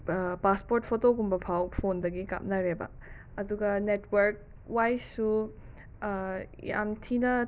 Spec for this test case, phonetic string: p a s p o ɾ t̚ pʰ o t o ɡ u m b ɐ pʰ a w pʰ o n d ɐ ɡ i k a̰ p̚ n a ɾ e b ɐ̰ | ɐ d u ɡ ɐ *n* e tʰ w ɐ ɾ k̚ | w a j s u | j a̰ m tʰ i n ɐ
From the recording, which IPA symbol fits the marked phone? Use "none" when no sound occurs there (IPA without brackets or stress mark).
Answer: n